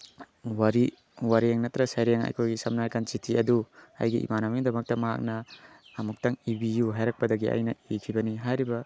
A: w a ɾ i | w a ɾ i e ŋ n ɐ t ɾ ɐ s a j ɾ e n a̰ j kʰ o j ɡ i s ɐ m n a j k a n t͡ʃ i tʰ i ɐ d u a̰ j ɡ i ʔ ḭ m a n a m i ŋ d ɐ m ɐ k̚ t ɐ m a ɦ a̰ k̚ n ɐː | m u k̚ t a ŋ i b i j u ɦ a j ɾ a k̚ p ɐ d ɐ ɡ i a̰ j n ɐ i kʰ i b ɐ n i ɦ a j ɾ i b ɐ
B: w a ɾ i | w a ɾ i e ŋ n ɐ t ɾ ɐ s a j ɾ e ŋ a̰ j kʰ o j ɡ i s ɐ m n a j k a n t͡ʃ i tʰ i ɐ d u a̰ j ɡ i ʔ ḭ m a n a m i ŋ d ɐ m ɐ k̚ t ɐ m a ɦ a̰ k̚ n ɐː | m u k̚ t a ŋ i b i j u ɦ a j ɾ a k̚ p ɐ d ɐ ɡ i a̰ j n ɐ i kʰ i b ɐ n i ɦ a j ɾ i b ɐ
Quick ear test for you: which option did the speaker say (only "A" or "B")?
B